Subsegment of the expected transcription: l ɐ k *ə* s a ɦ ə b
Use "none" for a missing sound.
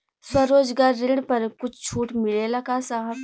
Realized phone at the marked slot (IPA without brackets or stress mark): a